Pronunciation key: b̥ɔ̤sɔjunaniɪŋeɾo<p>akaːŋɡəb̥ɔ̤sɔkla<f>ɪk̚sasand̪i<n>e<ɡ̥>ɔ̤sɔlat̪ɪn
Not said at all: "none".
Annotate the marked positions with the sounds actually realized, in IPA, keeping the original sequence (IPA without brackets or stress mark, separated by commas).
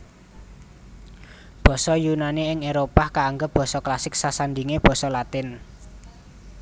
p, s, ŋ, b̥